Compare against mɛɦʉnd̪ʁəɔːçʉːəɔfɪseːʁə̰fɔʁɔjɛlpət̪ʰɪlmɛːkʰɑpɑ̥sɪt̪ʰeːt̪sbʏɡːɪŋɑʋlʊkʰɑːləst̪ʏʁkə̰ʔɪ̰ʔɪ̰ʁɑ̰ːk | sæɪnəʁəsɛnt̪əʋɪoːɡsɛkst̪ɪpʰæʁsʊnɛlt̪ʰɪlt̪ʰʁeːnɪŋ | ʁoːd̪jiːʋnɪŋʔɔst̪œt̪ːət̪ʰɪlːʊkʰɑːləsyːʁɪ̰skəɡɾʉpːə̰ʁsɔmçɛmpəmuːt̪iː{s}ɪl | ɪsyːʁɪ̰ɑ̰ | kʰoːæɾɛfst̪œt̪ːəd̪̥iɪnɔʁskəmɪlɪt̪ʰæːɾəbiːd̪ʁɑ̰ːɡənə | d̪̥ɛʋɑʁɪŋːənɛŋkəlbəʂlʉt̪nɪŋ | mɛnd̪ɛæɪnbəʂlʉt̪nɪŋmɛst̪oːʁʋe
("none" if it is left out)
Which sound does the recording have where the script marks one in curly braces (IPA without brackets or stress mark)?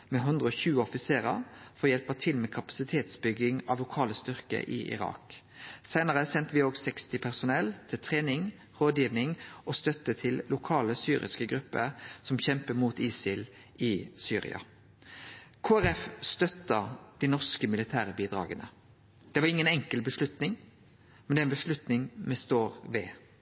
s